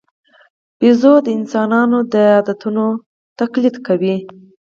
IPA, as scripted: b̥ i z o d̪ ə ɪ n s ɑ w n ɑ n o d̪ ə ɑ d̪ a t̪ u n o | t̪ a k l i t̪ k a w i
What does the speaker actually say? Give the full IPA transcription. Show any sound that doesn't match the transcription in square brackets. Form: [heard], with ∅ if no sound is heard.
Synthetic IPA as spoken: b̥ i z o d̪ ə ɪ n s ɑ [∅] n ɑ n o d̪ ə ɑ d̪ a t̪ u n o | t̪ a k l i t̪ k a w i